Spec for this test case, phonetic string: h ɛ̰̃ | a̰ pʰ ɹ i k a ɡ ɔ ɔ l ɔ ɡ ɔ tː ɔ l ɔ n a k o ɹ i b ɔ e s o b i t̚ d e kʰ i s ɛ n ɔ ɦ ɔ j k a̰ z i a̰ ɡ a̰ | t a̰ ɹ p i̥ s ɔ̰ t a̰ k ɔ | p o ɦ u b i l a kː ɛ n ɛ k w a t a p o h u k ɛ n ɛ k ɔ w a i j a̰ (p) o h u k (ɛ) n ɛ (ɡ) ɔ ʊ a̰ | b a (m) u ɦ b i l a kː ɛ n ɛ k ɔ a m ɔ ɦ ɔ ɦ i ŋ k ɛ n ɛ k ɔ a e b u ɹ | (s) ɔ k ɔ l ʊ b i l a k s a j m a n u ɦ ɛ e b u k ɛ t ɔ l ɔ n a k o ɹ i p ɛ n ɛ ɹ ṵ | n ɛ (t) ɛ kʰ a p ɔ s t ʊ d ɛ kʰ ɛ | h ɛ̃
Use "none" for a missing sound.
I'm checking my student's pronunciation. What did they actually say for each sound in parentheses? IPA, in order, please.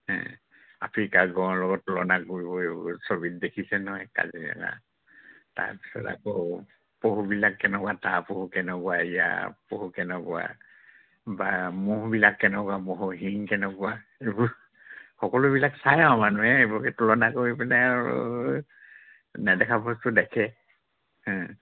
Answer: p, ɛ, k, m, x, d

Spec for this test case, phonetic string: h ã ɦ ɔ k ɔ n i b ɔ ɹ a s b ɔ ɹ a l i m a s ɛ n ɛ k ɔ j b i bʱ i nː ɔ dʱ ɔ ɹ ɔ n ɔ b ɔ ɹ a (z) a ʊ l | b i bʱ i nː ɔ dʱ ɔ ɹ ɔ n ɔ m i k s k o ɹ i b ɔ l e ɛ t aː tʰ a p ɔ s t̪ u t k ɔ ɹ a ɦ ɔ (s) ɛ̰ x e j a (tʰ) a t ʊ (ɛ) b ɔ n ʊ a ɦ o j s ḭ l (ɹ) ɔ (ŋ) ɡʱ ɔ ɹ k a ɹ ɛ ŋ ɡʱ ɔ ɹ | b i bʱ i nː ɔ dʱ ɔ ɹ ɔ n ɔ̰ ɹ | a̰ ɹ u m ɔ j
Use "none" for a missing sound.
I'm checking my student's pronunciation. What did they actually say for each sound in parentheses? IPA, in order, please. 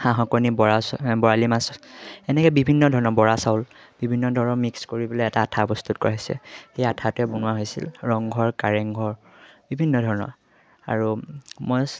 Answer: s, s, tʰ, ɛ, ɹ, ŋ

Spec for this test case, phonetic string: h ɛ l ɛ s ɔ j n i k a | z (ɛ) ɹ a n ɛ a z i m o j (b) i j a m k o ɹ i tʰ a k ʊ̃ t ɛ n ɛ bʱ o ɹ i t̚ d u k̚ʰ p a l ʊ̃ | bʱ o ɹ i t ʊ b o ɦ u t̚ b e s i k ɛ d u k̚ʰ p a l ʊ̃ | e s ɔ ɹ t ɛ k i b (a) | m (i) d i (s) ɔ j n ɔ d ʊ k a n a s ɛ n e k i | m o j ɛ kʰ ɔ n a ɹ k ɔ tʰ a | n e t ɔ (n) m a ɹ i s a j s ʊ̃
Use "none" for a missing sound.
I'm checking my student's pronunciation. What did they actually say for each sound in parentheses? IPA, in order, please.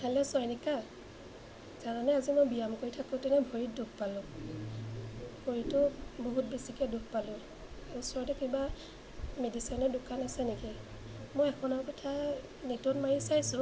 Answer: a, b, a, e, s, n

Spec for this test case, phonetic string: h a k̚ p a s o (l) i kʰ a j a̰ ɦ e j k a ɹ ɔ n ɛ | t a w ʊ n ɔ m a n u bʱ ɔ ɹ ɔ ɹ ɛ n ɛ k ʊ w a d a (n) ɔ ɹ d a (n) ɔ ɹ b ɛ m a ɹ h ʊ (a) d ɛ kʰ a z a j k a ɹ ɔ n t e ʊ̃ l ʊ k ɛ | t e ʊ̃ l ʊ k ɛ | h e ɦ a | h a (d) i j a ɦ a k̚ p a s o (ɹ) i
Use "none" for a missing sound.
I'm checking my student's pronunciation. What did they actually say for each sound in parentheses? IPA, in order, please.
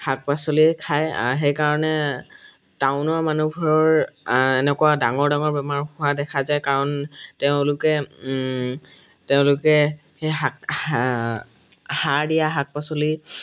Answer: l, ŋ, ŋ, a, d, l

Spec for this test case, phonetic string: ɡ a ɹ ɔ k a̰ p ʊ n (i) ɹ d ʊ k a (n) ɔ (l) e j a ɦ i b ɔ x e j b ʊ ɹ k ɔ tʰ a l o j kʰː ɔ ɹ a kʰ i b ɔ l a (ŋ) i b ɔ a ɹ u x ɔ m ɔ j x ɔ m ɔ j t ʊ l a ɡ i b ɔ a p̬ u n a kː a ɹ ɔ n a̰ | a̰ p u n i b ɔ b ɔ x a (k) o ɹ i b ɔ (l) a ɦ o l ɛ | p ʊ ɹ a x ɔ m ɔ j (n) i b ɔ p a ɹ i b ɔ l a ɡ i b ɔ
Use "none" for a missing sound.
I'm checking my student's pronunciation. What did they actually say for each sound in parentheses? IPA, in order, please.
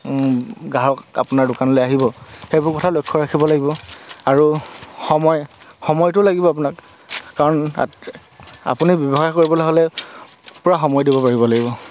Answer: a, n, l, ɡ, k, l, d

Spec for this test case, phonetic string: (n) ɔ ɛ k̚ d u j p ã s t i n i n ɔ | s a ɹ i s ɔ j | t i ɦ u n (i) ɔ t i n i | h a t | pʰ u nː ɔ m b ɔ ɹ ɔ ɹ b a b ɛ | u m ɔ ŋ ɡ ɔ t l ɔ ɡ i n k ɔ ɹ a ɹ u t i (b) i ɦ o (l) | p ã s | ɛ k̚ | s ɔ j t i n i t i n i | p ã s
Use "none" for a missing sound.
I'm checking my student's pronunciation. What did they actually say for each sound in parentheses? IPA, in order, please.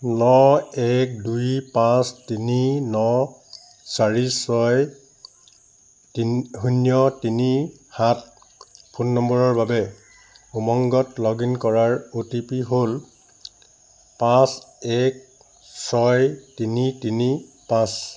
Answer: n, j, p, l

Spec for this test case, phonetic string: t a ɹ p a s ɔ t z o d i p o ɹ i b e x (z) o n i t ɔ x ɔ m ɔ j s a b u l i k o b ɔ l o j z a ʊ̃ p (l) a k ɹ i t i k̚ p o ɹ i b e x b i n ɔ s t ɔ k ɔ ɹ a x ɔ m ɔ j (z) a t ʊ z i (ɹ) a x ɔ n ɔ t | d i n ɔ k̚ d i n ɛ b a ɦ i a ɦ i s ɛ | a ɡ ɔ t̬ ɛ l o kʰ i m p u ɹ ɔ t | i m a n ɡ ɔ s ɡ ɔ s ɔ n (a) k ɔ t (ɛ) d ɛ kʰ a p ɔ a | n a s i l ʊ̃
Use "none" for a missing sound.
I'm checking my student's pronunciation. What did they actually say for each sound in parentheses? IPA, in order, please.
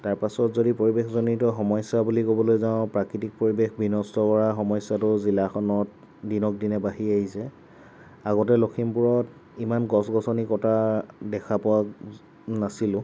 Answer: z, ɹ, s, l, i, a

